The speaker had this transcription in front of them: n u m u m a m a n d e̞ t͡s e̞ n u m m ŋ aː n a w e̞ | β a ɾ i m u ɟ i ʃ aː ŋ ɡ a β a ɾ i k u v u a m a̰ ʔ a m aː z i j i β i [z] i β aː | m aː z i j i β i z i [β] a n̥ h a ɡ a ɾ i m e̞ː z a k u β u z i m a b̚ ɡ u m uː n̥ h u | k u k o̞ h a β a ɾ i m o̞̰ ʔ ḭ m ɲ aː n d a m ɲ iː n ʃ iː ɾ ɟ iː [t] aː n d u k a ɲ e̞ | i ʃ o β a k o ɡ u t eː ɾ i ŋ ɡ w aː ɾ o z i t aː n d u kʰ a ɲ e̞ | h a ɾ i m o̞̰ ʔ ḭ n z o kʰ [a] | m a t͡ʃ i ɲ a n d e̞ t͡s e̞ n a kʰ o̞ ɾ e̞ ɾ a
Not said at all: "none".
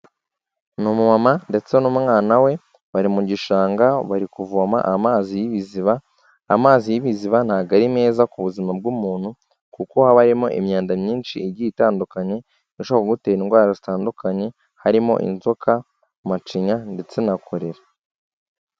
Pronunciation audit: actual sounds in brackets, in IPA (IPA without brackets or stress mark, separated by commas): z, β, t, a